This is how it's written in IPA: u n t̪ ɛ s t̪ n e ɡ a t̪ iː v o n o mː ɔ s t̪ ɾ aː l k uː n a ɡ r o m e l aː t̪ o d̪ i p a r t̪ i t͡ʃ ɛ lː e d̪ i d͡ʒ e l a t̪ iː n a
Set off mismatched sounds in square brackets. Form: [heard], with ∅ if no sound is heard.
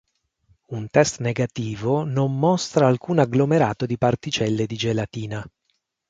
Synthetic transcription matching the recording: u n t̪ ɛ s t̪ n e ɡ a t̪ iː v o n o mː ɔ s t̪ ɾ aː l k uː n a ɡ [l] o m e [ɾ] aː t̪ o d̪ i p a r t̪ i t͡ʃ ɛ lː e d̪ i d͡ʒ e l a t̪ iː n a